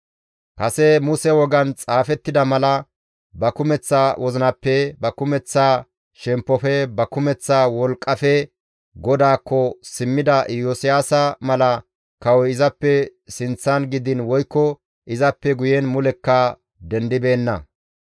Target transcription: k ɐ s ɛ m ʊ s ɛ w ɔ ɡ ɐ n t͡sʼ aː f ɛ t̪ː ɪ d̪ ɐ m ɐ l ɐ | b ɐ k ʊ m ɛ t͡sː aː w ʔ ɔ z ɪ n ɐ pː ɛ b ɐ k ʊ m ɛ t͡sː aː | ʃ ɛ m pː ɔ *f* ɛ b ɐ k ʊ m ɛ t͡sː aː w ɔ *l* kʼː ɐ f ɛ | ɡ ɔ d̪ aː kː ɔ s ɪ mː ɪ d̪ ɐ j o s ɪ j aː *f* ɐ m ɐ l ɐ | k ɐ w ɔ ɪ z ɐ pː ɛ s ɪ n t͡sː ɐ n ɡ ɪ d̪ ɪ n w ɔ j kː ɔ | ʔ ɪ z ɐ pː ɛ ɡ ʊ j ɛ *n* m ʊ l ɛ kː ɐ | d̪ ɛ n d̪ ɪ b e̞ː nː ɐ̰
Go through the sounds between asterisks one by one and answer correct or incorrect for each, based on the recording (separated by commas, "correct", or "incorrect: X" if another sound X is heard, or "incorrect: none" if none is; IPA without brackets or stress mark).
correct, correct, incorrect: s, correct